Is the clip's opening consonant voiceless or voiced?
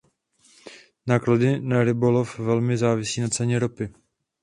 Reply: voiced